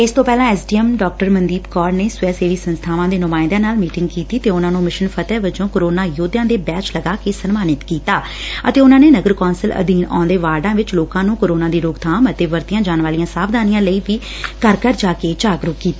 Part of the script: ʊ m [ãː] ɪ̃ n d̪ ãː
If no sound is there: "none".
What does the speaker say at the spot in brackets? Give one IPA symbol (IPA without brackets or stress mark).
aː